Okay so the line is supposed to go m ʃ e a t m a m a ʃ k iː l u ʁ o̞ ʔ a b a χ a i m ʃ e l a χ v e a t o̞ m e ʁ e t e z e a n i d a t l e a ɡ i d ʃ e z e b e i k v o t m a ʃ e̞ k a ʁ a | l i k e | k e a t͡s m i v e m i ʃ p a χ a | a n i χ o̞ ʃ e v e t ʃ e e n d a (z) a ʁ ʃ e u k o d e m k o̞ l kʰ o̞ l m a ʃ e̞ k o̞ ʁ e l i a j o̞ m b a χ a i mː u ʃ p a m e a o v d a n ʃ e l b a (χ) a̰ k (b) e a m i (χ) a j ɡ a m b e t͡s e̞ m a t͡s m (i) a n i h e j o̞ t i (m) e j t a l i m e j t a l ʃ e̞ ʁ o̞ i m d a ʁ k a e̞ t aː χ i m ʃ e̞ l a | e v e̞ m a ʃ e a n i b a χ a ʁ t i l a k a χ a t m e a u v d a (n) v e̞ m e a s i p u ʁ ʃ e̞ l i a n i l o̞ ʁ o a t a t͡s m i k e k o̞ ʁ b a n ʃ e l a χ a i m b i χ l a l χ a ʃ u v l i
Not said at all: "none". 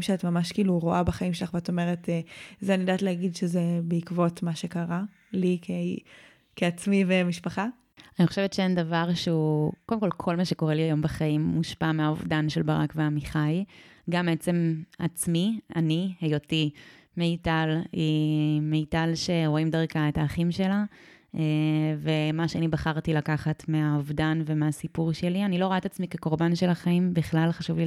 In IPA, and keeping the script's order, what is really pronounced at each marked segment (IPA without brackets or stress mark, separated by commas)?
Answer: v, ʁ, v, χ, i, m, n